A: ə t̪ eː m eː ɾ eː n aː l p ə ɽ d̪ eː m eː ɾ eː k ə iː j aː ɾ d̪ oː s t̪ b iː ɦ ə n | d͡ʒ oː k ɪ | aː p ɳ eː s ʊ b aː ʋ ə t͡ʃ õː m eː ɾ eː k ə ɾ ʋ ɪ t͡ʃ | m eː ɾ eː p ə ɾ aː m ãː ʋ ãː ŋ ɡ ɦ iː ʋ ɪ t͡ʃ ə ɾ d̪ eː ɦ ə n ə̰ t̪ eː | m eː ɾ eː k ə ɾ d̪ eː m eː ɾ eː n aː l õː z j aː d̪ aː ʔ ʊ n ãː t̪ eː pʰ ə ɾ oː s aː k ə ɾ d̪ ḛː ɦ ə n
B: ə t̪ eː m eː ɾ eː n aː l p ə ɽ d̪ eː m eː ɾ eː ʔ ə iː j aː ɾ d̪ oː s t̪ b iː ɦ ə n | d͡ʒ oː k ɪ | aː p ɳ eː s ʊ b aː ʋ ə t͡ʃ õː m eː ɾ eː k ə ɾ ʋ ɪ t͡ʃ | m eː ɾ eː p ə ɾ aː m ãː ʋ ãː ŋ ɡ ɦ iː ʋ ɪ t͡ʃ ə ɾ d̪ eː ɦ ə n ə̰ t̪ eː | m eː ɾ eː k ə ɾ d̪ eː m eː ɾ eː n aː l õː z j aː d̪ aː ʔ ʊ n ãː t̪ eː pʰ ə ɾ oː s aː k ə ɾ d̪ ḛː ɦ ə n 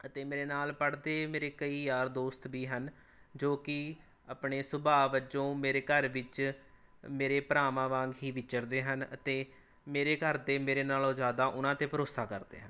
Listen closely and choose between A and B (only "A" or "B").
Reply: A